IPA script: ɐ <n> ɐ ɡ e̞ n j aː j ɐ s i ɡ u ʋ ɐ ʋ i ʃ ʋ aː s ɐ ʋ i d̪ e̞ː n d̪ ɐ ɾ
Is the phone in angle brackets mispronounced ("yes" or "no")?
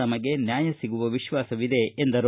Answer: yes